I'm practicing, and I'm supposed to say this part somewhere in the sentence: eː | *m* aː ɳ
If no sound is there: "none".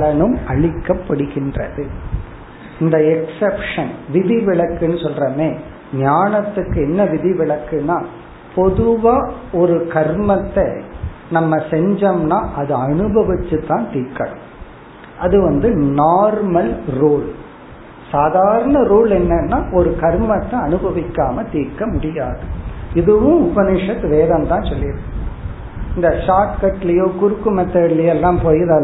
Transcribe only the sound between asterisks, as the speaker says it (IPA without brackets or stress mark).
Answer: ɲ